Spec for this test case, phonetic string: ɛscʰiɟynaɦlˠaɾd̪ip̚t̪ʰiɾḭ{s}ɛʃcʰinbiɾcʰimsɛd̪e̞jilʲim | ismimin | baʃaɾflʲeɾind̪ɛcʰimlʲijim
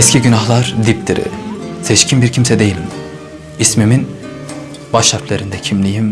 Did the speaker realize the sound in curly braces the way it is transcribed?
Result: yes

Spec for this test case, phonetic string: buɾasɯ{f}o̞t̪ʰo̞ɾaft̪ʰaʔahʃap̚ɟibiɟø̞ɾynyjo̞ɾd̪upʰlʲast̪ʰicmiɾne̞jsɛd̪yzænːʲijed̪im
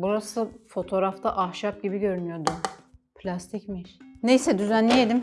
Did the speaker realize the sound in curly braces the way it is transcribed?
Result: yes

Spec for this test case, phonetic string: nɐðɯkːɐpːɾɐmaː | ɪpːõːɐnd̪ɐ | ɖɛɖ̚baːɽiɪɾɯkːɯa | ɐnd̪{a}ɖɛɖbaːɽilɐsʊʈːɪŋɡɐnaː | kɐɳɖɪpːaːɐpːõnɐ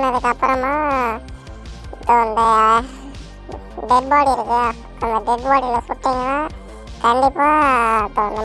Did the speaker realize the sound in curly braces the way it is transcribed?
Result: no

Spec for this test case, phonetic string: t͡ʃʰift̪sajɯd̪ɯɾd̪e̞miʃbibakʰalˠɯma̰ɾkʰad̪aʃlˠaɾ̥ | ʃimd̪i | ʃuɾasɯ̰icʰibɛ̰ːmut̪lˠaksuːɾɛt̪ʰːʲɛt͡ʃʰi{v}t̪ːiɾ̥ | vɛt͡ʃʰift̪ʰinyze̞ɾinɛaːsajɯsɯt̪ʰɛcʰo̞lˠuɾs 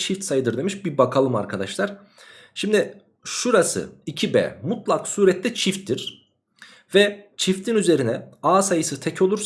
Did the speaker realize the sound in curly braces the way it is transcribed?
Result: no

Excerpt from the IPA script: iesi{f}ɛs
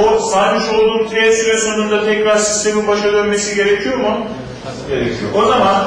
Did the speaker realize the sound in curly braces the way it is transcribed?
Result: no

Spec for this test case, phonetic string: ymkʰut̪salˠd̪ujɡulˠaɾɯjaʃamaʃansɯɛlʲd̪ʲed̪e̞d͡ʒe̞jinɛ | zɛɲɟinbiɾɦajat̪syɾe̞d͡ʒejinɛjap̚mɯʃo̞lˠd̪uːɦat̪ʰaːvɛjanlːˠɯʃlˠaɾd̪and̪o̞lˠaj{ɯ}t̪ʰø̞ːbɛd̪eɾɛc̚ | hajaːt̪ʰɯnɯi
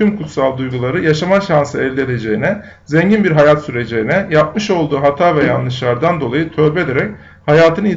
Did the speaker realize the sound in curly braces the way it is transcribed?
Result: yes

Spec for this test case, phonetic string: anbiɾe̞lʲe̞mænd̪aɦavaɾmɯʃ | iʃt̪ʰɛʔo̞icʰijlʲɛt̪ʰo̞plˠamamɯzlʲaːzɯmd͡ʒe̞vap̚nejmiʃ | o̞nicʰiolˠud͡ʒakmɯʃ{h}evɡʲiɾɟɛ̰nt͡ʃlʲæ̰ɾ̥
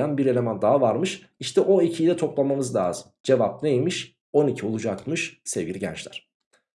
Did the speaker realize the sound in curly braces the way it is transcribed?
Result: no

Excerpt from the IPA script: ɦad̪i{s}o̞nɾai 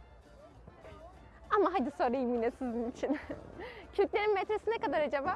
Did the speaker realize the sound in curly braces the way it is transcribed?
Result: yes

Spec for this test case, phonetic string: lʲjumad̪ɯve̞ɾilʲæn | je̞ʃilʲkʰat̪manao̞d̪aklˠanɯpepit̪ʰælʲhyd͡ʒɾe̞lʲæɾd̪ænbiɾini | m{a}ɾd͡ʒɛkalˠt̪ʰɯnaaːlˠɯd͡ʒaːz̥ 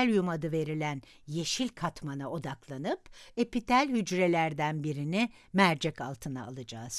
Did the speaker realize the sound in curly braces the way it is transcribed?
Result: no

